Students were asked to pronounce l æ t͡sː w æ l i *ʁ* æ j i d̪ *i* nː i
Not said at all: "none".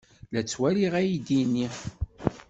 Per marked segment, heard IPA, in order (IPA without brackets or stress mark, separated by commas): ʁ, i